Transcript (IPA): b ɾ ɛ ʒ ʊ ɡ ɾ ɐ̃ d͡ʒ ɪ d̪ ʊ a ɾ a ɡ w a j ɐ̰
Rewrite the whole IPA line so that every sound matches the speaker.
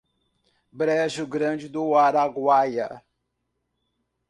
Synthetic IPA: b ɾ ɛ ʒ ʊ ɡ ɾ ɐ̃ d͡ʒ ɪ d̪ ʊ a ɾ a ɡ w a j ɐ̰